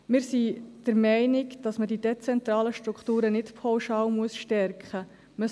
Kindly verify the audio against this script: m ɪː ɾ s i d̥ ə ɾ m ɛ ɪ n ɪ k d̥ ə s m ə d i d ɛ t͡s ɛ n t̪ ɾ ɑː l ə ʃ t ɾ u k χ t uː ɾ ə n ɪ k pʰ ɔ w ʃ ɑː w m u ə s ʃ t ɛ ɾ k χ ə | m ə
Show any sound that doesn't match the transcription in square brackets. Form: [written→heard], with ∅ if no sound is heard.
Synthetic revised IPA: m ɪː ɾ s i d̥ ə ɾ m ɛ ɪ n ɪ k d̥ [ə→ɑ] s m ə d i d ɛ t͡s ɛ n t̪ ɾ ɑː l ə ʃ t ɾ u k χ t uː ɾ ə n ɪ [k→t] pʰ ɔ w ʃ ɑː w m u ə s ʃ t ɛ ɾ k χ ə | m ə